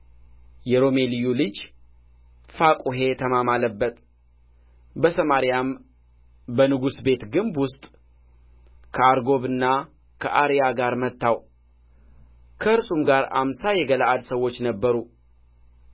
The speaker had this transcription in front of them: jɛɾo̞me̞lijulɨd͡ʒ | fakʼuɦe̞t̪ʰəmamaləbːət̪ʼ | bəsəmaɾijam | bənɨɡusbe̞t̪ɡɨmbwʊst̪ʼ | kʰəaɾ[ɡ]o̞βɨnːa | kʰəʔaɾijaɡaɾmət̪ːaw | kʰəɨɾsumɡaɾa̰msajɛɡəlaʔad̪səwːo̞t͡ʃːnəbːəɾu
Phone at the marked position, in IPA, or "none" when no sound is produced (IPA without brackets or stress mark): ɡ